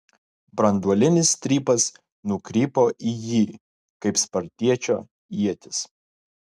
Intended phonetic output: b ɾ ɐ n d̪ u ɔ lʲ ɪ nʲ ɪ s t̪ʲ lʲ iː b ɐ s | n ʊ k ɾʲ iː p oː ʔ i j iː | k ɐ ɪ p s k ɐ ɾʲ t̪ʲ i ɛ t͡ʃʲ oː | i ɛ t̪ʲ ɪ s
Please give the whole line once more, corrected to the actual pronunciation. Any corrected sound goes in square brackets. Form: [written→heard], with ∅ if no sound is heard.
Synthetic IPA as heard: b ɾ ɐ n d̪ u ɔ lʲ ɪ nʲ ɪ s t̪ʲ [lʲ→ɾʲ] iː [b→p] ɐ s | n ʊ k ɾʲ iː p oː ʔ i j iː | k ɐ ɪ p s [k→p] ɐ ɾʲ t̪ʲ i ɛ t͡ʃʲ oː | i ɛ t̪ʲ ɪ s

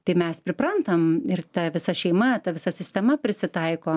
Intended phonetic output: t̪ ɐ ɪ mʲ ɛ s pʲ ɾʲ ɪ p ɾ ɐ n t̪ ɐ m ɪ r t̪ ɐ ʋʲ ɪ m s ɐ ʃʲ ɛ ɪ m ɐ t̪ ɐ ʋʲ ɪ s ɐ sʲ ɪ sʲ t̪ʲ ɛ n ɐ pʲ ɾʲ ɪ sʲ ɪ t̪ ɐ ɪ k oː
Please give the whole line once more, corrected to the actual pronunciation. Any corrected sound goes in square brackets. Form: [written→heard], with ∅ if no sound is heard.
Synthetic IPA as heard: t̪ ɐ ɪ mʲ ɛ s pʲ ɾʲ ɪ p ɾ ɐ n t̪ ɐ m ɪ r t̪ ɐ ʋʲ ɪ [m→∅] s ɐ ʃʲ ɛ ɪ m ɐ t̪ ɐ ʋʲ ɪ s ɐ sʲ ɪ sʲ t̪ʲ ɛ [n→m] ɐ pʲ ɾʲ ɪ sʲ ɪ t̪ ɐ ɪ k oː

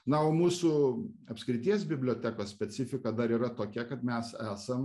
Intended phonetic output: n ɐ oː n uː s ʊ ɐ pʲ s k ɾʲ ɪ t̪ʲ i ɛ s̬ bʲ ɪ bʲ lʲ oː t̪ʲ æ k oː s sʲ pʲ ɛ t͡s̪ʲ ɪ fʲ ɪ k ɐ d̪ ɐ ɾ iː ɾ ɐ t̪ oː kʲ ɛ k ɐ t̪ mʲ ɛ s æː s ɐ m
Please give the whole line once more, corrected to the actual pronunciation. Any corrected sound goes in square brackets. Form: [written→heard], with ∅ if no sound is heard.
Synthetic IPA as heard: n ɐ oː [n→m] uː s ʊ ɐ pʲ s k ɾʲ ɪ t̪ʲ i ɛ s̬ bʲ ɪ bʲ lʲ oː t̪ʲ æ k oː s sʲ pʲ ɛ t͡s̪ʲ ɪ fʲ ɪ k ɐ d̪ ɐ ɾ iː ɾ ɐ t̪ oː kʲ ɛ k ɐ t̪ mʲ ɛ s æː s ɐ m

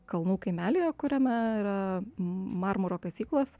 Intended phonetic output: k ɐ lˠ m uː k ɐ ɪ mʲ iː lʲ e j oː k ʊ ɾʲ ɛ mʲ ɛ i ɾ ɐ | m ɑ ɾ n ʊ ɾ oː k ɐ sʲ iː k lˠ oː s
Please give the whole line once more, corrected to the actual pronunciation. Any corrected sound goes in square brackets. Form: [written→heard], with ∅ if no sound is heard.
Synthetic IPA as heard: k ɐ lˠ [m→n] uː k ɐ ɪ mʲ [iː→æː] lʲ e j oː k ʊ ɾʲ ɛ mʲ ɛ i ɾ ɐ | m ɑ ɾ [n→m] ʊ ɾ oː k ɐ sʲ iː k lˠ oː s

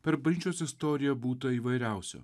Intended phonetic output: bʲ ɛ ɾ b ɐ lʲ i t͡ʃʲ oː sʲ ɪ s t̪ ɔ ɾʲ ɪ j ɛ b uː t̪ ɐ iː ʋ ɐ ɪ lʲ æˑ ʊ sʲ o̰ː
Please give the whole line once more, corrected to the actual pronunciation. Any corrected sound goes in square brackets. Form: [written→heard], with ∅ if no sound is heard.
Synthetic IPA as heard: [bʲ→pʲ] ɛ ɾ b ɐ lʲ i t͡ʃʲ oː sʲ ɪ s t̪ ɔ ɾʲ ɪ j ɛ b uː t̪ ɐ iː ʋ ɐ ɪ [lʲ→ɾʲ] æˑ ʊ sʲ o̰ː

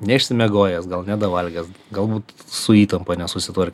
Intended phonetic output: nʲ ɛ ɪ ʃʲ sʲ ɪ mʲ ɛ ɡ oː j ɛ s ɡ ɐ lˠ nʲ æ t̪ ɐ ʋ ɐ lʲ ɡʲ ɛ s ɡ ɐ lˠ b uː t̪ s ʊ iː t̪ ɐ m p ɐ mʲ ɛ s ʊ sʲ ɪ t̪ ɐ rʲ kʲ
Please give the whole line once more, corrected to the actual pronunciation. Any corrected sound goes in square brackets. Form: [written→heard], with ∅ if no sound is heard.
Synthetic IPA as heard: nʲ ɛ ɪ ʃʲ sʲ ɪ mʲ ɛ ɡ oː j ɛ s ɡ ɐ lˠ nʲ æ [t̪→d̪] ɐ ʋ ɐ lʲ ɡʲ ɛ s ɡ ɐ lˠ b uː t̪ s ʊ iː t̪ ɐ m p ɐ [mʲ→nʲ] ɛ s ʊ sʲ ɪ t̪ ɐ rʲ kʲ

